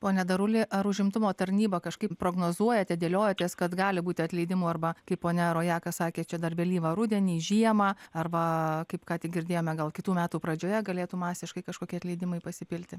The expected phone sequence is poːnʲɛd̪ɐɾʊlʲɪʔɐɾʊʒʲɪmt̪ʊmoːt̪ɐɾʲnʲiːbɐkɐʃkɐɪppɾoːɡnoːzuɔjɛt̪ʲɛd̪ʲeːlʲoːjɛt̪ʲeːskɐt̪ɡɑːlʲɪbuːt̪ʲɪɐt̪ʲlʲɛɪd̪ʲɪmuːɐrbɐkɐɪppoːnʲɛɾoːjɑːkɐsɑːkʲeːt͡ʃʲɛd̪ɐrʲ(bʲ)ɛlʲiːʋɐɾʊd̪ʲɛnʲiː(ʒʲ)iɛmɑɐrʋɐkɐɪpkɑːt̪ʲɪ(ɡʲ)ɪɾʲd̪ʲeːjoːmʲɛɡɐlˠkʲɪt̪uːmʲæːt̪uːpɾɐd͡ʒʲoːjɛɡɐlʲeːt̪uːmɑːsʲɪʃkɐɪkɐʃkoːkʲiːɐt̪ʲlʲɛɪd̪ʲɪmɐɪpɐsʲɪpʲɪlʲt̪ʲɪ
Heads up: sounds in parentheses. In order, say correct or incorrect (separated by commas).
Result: correct, correct, correct